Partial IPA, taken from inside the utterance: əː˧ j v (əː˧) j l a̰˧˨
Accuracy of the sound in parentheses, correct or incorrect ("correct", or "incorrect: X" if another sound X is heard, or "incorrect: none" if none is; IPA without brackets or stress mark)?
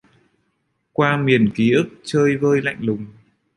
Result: correct